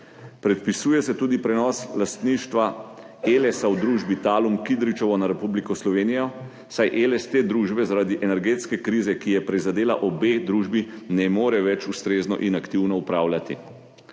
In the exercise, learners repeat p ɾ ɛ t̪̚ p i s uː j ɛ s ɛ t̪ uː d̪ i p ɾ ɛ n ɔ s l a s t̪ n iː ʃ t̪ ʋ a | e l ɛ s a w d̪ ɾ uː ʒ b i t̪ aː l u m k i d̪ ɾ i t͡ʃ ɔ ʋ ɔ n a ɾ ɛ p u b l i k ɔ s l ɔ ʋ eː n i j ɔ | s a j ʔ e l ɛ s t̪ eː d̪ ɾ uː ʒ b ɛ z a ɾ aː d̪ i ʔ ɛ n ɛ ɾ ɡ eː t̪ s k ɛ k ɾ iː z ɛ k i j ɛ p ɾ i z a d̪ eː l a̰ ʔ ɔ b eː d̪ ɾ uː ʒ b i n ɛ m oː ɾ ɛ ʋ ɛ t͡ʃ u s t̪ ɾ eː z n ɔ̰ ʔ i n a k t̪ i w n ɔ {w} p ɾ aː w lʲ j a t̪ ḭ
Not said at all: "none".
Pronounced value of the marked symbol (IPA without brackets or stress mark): u